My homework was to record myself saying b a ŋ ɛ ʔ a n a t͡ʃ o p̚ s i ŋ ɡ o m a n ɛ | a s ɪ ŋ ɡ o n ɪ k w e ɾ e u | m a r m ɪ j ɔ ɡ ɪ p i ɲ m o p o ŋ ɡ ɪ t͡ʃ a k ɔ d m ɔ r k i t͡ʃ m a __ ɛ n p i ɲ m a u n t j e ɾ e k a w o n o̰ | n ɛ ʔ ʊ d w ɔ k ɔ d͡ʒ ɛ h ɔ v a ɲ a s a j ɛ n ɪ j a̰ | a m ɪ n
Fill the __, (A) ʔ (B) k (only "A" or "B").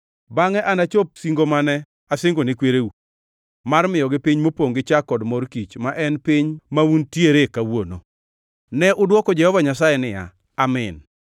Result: A